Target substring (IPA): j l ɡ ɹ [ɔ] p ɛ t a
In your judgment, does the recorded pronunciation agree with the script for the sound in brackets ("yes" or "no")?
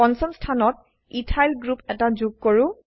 no